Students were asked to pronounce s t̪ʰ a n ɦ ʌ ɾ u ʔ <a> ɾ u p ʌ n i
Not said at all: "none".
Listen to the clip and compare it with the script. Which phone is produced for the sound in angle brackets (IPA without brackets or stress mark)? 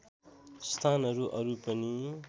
ʌ